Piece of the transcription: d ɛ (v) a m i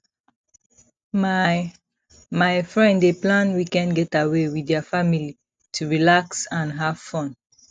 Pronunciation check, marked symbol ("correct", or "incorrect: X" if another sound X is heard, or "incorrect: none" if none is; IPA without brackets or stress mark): incorrect: f